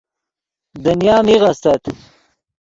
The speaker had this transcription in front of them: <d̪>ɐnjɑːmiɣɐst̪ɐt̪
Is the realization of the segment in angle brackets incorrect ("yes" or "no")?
no